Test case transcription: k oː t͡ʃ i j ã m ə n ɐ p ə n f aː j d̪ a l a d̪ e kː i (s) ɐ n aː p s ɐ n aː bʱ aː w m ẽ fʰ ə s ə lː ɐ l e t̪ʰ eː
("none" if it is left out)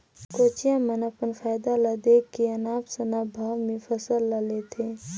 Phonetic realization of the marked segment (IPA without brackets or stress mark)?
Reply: none